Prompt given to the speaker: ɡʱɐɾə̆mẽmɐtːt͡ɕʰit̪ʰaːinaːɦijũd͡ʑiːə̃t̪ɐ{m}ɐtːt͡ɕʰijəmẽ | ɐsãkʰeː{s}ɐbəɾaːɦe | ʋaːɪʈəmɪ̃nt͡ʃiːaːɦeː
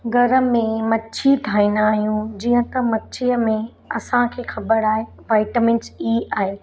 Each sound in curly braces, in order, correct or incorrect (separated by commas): correct, incorrect